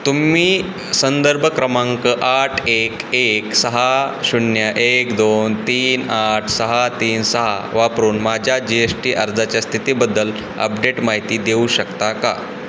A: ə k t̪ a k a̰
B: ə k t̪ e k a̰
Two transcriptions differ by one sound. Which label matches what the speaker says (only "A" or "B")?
A